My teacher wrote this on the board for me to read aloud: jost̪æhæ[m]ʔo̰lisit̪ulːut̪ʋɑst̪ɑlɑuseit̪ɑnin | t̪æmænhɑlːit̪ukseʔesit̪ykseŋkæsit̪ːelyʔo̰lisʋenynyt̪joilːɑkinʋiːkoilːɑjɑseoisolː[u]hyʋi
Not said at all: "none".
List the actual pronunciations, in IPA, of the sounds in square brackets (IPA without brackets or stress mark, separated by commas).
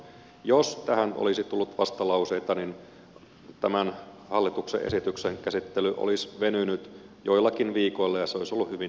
n, u